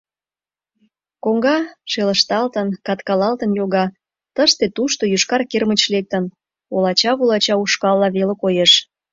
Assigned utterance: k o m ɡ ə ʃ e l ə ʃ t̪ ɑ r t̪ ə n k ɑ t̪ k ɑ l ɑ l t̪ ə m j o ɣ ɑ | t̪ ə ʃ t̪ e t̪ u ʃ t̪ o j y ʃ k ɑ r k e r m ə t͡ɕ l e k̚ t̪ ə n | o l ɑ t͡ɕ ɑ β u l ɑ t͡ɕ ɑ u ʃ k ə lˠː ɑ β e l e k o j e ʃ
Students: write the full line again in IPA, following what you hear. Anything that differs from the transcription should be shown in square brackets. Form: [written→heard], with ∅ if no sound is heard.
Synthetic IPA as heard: k o [m→ŋ] ɡ [ə→ɑ] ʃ e l ə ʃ t̪ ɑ [r→l] t̪ ə n k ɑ t̪ k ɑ l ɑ l t̪ ə [m→n] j o ɣ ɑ | t̪ ə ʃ t̪ e t̪ u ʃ t̪ o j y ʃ k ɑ r k e r m ə t͡ɕ l e k̚ t̪ ə n | o l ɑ t͡ɕ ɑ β u l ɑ t͡ɕ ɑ u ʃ k [ə→ɑ] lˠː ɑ β e l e k o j e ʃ